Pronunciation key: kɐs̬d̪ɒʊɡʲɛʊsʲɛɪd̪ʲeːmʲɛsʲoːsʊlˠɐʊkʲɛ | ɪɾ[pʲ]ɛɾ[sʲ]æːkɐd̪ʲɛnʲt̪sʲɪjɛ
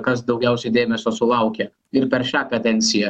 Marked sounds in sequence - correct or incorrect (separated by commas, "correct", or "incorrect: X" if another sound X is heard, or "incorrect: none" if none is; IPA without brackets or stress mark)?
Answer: correct, incorrect: ʃʲ